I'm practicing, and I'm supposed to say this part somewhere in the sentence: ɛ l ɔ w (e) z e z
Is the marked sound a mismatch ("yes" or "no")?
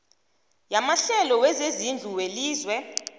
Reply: yes